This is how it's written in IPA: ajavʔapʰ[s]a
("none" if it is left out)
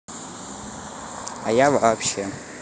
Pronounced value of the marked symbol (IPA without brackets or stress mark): ʃ